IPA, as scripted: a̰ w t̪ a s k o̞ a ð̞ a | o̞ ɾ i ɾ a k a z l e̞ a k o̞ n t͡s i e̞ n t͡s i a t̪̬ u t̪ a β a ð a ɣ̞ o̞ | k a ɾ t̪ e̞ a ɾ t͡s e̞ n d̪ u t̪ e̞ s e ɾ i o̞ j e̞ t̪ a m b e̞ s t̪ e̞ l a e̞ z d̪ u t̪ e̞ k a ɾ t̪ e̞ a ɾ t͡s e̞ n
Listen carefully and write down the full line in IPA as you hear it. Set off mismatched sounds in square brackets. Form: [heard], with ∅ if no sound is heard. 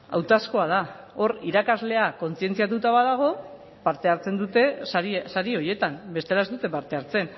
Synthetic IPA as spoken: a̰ w t̪ a s k o̞ a ð̞ a | o̞ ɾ i ɾ a k a z l e̞ a k o̞ n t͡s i e̞ n t͡s i a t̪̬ u t̪ a β a ð a ɣ̞ o̞ | [p] a ɾ t̪ e̞ a ɾ t͡s e̞ n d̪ u t̪ e̞ s [a] ɾ i o̞ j e̞ t̪ a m b e̞ s t̪ e̞ l a e̞ z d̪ u t̪ e̞ [p] a ɾ t̪ e̞ a ɾ t͡s e̞ n